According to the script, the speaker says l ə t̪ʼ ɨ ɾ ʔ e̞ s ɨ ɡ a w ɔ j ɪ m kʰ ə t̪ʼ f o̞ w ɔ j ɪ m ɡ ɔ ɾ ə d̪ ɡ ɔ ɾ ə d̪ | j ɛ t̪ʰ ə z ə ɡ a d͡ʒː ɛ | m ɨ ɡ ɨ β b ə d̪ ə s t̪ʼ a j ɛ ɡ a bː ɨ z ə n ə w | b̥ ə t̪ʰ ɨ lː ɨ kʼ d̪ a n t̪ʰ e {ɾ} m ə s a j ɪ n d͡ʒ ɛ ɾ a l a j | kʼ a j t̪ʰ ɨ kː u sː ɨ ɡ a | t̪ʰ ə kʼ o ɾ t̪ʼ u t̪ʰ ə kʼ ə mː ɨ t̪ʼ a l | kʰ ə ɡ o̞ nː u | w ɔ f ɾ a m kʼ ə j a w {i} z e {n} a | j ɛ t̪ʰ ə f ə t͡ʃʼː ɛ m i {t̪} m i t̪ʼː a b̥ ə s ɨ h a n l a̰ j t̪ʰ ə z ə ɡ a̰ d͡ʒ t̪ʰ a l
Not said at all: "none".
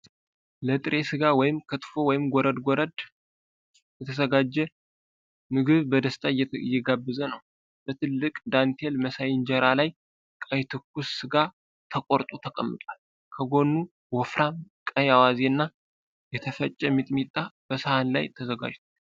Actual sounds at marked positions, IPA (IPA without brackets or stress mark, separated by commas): l, a, nː, t̪ʼ